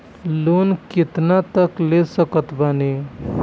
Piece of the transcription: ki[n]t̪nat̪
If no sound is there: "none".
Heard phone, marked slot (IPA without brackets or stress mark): none